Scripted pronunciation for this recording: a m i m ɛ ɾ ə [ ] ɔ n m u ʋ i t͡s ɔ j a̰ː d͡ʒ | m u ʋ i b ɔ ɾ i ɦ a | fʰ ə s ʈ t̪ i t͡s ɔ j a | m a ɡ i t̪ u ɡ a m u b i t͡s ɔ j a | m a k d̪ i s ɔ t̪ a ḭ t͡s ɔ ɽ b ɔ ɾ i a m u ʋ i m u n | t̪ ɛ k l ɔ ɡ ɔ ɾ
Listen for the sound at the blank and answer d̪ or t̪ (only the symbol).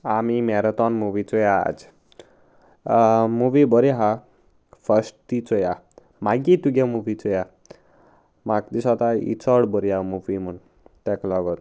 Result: t̪